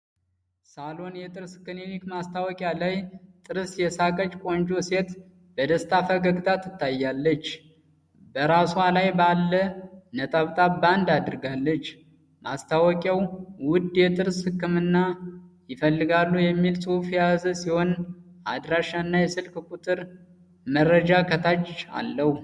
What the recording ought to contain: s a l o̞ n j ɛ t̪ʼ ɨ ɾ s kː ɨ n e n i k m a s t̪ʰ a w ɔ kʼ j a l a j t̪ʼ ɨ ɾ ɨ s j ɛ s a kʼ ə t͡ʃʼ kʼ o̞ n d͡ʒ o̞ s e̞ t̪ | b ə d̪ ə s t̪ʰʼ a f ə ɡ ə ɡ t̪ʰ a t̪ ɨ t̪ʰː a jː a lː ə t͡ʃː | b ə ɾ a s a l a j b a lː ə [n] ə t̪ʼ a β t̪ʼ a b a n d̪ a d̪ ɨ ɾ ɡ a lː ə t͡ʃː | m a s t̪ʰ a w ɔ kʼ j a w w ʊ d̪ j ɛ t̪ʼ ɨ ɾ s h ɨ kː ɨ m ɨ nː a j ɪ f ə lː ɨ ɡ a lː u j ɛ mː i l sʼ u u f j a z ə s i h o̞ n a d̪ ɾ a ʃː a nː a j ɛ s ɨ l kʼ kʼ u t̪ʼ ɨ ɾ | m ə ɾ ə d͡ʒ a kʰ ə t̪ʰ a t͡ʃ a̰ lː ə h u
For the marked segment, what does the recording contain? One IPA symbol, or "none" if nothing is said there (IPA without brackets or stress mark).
n